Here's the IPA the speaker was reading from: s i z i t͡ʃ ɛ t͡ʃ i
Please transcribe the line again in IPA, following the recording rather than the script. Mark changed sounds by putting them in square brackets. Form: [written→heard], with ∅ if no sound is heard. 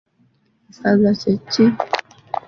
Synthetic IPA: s [i→a] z [i→a] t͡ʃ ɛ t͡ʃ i